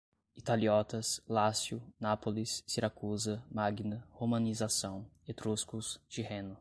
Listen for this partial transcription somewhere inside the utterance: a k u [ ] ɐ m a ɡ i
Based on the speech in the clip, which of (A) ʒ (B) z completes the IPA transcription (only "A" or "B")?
B